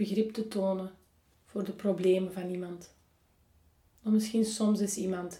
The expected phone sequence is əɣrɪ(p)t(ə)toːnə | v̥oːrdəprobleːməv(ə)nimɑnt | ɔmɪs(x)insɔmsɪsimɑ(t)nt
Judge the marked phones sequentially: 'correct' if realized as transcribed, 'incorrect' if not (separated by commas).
correct, correct, incorrect, correct, incorrect